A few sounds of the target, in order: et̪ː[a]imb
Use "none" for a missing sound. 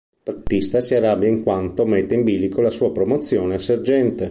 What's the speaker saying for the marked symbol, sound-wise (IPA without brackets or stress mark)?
e